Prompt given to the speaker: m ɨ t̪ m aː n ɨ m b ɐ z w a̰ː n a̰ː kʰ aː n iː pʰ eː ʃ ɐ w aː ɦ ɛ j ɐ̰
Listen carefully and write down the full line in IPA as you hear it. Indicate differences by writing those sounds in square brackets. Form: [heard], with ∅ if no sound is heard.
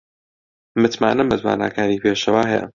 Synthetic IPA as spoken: m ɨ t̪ m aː n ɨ m b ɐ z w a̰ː n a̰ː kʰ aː n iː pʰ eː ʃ ɐ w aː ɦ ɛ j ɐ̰